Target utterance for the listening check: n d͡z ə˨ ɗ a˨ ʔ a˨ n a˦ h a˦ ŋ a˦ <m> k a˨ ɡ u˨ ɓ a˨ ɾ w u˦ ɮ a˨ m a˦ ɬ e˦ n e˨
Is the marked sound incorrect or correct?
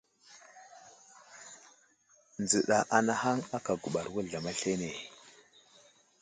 incorrect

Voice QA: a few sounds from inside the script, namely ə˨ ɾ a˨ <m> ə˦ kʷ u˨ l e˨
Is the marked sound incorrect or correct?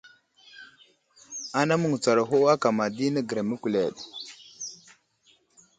correct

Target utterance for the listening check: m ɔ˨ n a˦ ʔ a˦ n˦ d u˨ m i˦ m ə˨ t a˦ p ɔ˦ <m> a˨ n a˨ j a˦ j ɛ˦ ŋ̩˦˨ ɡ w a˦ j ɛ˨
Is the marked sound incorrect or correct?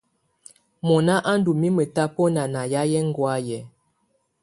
incorrect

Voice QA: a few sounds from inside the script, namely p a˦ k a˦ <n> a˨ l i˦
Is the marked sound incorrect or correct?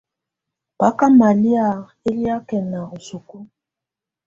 incorrect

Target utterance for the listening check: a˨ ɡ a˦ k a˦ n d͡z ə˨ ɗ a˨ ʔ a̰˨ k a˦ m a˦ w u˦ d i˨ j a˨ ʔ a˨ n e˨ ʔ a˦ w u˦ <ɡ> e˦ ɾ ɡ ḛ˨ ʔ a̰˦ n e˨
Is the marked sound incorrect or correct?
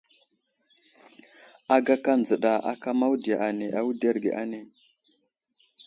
incorrect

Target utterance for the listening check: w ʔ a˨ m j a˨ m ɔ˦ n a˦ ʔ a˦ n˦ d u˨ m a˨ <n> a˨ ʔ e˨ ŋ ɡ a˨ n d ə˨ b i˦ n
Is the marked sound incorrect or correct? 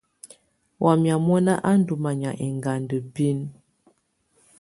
incorrect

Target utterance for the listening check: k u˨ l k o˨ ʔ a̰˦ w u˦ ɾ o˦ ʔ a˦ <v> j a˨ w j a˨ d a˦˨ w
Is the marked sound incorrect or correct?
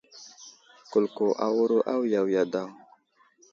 incorrect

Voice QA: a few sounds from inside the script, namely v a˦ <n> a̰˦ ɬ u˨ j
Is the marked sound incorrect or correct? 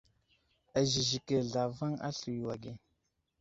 incorrect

